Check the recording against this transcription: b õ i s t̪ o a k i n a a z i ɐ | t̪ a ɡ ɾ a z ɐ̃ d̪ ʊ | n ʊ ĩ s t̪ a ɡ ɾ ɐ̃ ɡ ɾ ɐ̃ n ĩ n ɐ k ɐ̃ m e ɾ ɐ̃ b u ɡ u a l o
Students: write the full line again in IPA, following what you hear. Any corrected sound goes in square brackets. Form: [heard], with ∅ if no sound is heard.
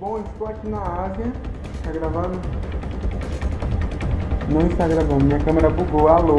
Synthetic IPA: b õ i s t̪ o a k i n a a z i ɐ | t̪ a ɡ ɾ a [v] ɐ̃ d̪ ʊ | n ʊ ĩ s t̪ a ɡ ɾ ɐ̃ ɡ ɾ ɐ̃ [m] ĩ [ɲ] ɐ k ɐ̃ m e ɾ [ɐ] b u ɡ [o] a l o